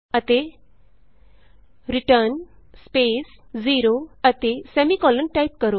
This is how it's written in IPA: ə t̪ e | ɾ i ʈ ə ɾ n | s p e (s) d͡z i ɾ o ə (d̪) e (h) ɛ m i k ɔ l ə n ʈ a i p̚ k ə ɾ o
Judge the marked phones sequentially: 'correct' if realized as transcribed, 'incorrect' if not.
correct, incorrect: t̪, incorrect: s

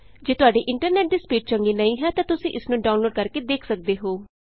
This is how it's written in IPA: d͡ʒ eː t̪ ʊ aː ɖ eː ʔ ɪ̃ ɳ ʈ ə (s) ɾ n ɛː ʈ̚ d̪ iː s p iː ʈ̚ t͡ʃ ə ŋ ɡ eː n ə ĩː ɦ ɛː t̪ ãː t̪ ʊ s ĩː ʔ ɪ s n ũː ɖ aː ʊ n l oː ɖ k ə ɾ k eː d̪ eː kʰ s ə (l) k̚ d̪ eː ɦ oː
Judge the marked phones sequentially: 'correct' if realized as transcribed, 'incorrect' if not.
incorrect: none, incorrect: none

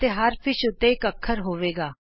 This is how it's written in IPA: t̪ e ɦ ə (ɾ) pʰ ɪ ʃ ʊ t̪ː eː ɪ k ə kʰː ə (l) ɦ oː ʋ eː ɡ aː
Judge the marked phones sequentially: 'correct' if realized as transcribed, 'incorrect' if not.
correct, incorrect: ɾ

